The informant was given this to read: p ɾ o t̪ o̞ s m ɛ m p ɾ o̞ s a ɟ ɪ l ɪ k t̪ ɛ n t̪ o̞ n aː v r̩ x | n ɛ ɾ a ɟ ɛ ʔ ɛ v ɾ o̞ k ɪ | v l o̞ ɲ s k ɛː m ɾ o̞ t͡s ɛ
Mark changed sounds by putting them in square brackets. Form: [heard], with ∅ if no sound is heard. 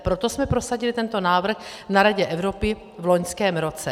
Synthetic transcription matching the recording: p ɾ o t̪ o̞ s m ɛ [∅] p ɾ o̞ s a ɟ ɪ l ɪ [∅] t̪ ɛ n t̪ o̞ n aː v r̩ x | n [a] ɾ a ɟ ɛ ʔ ɛ v ɾ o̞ [p] ɪ | v l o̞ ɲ s k ɛː m ɾ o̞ t͡s ɛ

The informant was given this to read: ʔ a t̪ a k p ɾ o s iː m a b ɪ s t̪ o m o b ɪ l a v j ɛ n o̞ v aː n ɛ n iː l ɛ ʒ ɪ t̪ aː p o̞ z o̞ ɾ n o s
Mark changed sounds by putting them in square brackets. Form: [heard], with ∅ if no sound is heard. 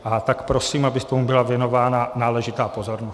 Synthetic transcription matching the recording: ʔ a t̪ a k p ɾ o s iː m a b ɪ s t̪ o m [u] b ɪ l a v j ɛ n o̞ v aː n [a] n [aː] l ɛ ʒ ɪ t̪ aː p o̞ z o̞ ɾ n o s

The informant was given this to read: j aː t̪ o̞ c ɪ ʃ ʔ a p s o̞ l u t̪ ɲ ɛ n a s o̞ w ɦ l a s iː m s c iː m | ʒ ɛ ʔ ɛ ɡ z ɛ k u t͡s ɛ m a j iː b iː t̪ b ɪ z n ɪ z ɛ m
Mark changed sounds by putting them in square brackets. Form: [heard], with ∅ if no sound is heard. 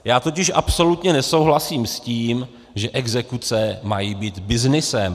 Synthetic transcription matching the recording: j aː t̪ o̞ c ɪ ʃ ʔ a p s o̞ l u t̪ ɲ ɛ n [ɛ] s o̞ w ɦ l a s iː m s c iː m | ʒ ɛ ʔ ɛ ɡ z ɛ k u t͡s ɛ m a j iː b iː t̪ b ɪ z n ɪ [s] ɛ m

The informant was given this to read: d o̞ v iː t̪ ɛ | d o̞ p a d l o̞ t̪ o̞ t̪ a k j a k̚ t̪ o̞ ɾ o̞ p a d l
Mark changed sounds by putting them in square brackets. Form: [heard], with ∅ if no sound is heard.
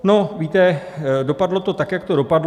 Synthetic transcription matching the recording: [n] o̞ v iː t̪ ɛ | d o̞ p a d l o̞ t̪ o̞ t̪ a k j a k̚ t̪ o̞ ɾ o̞ p a d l

